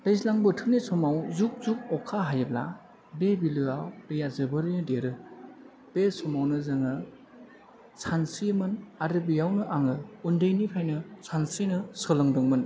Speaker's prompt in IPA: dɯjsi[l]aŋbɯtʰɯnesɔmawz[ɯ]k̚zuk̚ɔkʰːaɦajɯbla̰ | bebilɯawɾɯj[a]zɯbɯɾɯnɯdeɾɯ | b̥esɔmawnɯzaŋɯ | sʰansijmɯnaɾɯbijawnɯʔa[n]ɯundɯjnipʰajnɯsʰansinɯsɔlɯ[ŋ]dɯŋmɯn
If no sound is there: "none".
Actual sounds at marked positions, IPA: l, u, a, ŋ, ŋ

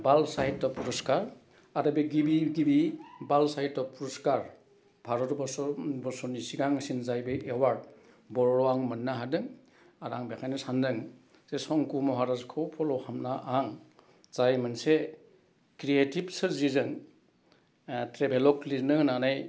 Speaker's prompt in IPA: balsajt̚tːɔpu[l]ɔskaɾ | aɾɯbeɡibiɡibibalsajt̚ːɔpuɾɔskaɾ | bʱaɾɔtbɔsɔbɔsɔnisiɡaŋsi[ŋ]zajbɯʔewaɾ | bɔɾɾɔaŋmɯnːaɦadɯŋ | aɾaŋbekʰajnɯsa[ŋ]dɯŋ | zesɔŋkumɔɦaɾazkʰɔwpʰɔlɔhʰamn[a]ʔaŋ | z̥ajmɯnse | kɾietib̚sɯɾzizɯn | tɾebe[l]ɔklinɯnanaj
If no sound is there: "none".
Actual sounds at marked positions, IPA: ɾ, n, n, a, l

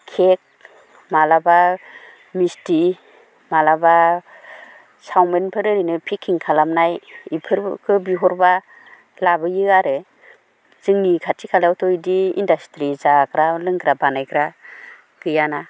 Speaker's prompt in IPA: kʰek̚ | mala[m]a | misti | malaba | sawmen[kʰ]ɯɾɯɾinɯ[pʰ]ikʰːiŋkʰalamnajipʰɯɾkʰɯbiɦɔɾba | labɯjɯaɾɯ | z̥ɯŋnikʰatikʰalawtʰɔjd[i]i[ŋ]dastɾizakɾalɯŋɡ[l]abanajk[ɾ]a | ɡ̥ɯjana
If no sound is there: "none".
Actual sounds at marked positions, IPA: b, pʰ, pʰ, i, n, ɾ, ɾ

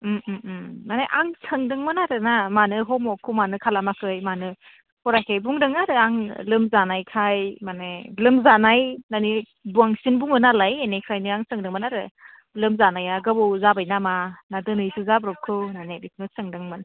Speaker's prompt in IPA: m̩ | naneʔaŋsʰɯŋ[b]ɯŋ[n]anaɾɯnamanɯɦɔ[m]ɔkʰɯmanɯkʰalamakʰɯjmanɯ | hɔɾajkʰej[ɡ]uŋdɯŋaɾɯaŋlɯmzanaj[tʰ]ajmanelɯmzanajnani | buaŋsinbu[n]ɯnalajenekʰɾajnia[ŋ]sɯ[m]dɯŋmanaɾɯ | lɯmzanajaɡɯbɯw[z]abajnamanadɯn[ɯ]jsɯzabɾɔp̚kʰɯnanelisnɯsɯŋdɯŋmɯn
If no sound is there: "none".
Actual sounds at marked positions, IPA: d, m, m, b, kʰ, ŋ, ŋ, ŋ, z, ɯ

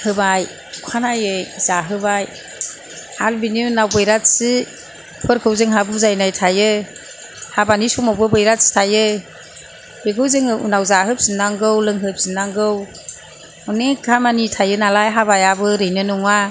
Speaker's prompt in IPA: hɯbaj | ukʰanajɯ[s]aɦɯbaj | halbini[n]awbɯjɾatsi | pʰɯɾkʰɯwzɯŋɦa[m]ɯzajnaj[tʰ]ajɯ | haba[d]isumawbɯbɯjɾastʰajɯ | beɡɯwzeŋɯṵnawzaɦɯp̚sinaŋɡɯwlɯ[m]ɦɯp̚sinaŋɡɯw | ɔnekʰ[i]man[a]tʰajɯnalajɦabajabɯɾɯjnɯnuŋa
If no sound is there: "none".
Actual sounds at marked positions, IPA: z, n, b, tʰ, n, ŋ, a, i

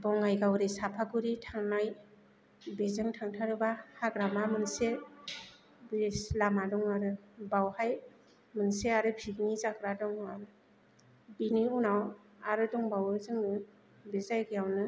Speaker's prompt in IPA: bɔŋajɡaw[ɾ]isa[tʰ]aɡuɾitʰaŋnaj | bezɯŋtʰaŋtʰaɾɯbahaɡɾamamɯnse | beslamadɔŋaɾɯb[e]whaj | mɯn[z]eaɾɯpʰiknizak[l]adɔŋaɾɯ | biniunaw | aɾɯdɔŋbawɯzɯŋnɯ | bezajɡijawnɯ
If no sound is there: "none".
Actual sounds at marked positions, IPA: ɾ, pʰ, a, s, ɾ

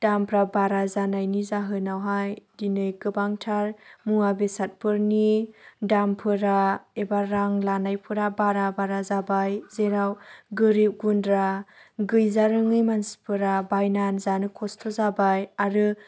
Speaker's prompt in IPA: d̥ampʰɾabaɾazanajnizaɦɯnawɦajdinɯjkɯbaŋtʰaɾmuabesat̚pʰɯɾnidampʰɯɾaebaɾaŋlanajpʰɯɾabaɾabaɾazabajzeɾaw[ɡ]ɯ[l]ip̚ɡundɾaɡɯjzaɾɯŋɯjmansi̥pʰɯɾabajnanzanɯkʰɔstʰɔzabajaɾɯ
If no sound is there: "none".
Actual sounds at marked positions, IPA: ɡ, ɾ

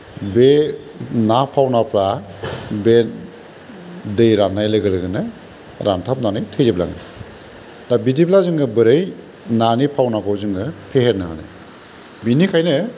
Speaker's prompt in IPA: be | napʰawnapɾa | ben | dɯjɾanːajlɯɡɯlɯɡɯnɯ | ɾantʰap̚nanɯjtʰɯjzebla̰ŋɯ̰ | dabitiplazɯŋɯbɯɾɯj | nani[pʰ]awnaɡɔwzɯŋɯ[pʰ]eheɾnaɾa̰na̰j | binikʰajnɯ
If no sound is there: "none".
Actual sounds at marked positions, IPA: pʰ, pʰ

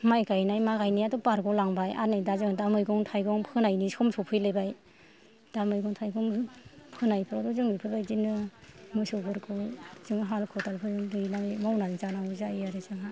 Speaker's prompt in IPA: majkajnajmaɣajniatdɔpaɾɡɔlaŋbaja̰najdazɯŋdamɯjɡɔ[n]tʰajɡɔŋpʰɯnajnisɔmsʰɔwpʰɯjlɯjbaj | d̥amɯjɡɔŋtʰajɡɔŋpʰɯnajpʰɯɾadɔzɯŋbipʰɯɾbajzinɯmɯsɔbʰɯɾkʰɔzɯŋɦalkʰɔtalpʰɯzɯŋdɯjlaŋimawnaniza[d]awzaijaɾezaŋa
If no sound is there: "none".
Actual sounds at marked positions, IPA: ŋ, n

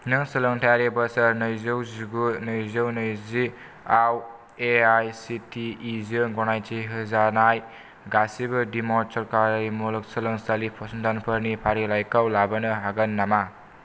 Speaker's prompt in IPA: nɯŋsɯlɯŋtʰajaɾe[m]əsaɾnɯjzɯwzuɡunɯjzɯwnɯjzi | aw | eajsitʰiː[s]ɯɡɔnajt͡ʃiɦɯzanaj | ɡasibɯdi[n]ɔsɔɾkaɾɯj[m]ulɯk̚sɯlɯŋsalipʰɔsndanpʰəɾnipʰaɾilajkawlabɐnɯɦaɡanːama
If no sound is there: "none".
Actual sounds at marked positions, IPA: b, z, m, m

